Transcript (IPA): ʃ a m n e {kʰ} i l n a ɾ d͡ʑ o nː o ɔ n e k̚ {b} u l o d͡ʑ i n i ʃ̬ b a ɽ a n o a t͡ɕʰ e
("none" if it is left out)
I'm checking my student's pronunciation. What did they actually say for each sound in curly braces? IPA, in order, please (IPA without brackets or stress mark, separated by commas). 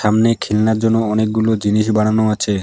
kʰ, ɡ